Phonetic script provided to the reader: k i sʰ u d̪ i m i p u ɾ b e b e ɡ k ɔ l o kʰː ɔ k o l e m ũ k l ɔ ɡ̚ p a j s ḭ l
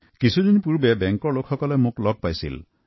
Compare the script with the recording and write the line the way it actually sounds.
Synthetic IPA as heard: k i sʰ u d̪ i n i p u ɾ b e b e ŋ k ɔ l o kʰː ɔ k ɔ l e m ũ k l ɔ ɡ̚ p a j s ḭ l